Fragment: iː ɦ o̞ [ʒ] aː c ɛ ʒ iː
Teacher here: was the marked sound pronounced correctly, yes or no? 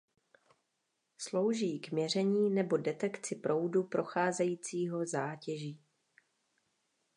no